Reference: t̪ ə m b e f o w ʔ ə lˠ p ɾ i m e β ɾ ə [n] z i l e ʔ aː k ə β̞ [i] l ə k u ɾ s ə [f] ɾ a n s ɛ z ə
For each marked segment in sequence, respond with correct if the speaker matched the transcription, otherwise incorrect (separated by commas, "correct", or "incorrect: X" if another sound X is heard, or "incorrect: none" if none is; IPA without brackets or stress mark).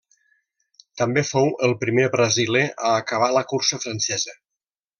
incorrect: none, incorrect: a, correct